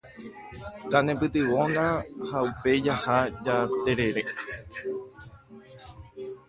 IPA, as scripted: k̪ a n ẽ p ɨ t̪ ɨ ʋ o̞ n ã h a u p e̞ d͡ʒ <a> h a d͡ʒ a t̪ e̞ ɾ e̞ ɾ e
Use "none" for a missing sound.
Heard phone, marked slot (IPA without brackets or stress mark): a